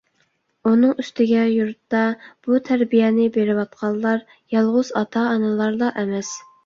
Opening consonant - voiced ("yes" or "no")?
yes